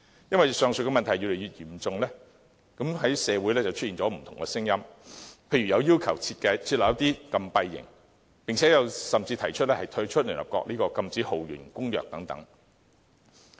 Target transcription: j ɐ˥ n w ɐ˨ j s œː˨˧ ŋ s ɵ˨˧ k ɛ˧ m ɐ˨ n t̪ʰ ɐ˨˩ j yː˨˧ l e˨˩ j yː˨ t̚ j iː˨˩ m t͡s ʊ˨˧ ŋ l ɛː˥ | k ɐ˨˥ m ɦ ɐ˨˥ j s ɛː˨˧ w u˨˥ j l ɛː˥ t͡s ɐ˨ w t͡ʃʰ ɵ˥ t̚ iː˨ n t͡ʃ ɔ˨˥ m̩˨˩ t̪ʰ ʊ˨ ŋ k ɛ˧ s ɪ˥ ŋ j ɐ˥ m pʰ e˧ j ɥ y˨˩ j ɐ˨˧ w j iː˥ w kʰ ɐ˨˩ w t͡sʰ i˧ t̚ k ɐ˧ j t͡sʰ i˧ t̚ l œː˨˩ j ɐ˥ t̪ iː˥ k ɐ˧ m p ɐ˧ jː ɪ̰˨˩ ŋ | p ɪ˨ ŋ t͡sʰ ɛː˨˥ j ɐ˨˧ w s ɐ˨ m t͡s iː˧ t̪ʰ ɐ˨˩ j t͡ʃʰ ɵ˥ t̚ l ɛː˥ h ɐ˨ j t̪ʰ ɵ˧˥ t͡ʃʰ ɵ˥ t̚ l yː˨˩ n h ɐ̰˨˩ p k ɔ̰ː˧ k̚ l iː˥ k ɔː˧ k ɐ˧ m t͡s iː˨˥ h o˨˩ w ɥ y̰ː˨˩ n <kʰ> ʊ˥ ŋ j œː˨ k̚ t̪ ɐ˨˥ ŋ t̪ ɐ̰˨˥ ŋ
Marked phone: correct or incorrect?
incorrect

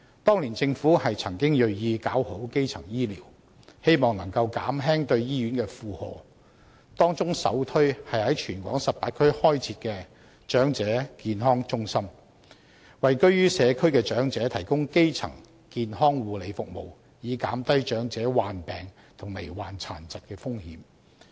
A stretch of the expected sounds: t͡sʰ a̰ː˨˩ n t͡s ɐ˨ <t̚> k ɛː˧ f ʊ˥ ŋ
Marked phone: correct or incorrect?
correct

